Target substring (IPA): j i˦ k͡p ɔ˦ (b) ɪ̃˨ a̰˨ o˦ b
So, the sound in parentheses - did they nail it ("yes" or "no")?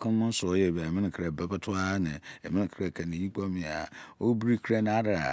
no